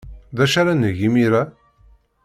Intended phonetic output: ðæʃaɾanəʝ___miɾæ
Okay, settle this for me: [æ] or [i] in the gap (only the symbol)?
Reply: i